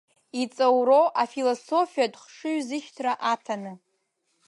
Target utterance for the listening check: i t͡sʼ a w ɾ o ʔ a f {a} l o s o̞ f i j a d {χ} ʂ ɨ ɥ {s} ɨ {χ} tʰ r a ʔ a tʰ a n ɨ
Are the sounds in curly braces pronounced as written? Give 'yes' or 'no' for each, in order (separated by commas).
no, yes, no, no